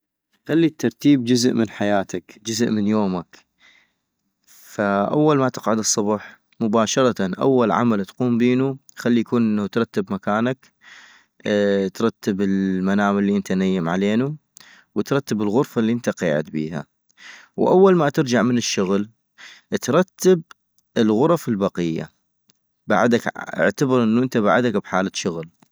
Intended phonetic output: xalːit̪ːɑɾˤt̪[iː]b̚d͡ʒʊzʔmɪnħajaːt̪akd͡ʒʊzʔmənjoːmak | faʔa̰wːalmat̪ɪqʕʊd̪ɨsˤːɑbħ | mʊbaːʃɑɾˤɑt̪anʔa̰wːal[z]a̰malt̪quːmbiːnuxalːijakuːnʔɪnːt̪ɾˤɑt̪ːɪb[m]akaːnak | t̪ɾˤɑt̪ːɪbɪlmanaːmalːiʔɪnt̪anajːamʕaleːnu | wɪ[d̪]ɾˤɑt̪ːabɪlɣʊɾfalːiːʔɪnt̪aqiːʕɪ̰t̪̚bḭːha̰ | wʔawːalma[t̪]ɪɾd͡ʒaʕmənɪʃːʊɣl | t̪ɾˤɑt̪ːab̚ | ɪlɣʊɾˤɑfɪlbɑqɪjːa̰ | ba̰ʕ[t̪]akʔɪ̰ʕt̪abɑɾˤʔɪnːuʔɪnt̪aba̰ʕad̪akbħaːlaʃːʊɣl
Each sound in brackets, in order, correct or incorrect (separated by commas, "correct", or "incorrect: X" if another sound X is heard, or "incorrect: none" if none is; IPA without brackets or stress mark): correct, incorrect: ʕ, correct, incorrect: t̪, correct, incorrect: d̪